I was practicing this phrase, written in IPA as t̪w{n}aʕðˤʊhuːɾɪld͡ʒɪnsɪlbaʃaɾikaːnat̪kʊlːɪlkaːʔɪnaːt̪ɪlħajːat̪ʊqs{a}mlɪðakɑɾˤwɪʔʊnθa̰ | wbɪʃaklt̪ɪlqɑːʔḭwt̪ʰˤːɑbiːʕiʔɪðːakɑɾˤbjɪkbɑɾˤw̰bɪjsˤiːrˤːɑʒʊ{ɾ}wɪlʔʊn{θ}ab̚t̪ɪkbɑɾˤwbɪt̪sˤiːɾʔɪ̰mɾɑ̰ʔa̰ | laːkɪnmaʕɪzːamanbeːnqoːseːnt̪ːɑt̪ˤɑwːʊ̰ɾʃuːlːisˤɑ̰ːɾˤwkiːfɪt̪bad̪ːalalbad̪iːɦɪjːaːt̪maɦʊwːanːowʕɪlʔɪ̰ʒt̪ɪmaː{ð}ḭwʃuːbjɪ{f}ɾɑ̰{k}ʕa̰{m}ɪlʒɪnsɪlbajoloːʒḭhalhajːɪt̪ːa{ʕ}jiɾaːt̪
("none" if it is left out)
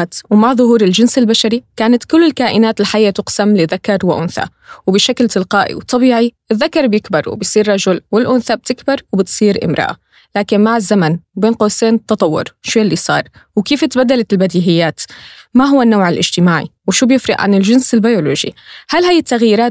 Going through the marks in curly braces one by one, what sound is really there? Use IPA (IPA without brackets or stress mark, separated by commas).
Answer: m, a, l, θ, ʕ, f, ʔ, n, ɣ